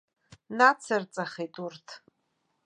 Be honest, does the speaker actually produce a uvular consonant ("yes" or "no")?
yes